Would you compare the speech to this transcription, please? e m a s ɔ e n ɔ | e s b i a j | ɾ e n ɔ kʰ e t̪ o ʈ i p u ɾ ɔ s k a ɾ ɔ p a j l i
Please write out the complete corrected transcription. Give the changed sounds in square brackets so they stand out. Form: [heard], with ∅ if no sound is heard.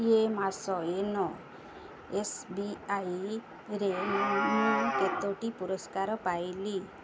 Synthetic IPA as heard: e m a s ɔ e n ɔ | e s b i a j | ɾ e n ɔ [k] e t̪ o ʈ i p u ɾ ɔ s k a ɾ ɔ p a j l i